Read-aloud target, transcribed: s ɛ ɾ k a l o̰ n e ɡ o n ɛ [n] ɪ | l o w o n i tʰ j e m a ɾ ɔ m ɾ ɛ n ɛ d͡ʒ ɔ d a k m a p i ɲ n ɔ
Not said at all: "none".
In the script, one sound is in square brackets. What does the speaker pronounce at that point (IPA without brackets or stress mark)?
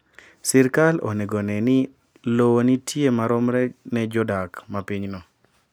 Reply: n